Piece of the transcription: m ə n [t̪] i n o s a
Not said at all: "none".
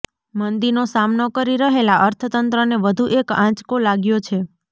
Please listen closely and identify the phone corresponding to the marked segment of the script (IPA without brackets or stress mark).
d̪